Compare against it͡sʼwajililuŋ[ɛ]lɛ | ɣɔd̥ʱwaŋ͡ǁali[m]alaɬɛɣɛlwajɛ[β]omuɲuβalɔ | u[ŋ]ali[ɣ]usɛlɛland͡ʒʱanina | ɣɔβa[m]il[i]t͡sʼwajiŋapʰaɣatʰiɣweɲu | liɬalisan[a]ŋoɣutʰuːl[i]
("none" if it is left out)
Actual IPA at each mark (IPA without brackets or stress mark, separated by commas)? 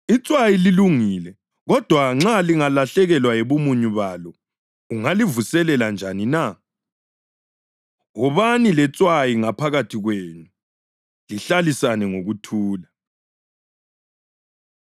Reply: i, ŋ, β, ŋ, v, n, ɛ, ɛ, a